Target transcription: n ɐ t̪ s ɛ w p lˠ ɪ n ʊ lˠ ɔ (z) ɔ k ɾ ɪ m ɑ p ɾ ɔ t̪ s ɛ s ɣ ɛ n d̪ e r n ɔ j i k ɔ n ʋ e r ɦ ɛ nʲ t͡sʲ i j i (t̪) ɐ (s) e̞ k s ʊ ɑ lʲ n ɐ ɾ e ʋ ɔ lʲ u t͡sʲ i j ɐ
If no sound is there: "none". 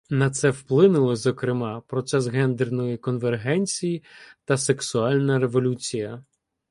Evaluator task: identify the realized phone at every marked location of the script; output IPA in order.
z, t̪, s

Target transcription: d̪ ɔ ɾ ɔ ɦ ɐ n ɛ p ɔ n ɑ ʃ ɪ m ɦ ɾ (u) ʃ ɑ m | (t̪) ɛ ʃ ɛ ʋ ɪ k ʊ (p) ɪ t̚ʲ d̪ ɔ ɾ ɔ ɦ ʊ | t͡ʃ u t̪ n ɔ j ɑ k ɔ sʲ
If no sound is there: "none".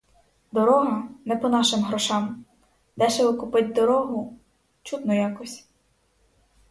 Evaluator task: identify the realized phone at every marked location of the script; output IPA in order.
ɔ, d̪, p

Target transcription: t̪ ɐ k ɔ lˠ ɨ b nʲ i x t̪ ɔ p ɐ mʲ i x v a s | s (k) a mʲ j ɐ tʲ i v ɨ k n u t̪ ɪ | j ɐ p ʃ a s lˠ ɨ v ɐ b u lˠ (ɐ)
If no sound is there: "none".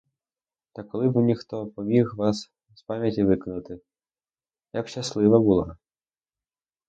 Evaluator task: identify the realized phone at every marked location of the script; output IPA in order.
p, a

